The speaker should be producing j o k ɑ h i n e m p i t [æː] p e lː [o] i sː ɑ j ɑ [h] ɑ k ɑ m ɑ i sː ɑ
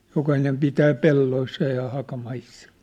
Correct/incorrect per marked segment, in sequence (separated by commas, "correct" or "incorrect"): correct, correct, correct